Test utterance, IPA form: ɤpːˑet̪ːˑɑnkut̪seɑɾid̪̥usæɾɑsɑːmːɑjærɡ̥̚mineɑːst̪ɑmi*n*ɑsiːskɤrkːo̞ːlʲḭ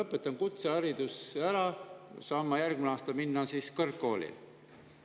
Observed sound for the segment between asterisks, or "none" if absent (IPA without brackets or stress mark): nː